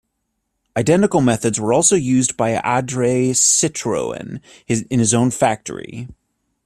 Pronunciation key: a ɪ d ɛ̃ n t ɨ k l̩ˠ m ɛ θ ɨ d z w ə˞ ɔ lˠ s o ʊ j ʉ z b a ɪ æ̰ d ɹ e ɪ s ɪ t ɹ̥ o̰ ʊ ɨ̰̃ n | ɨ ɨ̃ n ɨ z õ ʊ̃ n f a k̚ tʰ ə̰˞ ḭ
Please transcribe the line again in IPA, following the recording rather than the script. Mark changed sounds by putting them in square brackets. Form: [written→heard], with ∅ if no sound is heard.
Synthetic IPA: a ɪ d ɛ̃ n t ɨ k l̩ˠ m ɛ θ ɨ d z w ə˞ ɔ lˠ s o ʊ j ʉ z b a ɪ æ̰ d ɹ e ɪ s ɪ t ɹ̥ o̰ ʊ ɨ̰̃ n | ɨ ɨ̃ n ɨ z õ ʊ̃ n f [a→æ] k̚ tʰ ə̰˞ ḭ